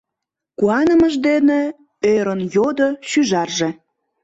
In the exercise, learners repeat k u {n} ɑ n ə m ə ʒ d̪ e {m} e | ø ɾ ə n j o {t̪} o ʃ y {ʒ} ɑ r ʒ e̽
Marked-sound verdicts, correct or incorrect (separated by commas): incorrect, incorrect, incorrect, correct